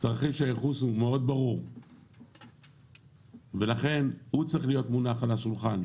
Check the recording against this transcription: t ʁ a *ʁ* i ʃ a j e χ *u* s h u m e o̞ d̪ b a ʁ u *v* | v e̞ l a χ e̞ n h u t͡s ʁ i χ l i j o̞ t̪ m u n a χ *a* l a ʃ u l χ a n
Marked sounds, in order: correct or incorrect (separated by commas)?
incorrect, correct, incorrect, correct